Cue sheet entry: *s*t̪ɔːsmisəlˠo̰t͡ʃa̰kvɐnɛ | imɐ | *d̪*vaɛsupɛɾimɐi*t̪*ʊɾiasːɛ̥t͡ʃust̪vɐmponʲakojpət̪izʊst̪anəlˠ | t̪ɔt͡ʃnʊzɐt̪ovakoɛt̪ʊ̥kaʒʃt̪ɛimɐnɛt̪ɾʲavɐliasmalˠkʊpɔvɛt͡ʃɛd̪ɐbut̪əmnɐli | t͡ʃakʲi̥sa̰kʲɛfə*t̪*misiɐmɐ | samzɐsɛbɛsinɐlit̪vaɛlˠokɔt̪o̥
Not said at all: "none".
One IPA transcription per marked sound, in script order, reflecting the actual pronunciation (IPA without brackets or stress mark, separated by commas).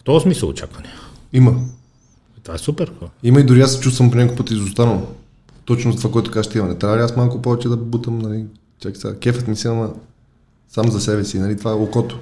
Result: f, t̪, d̪, t̪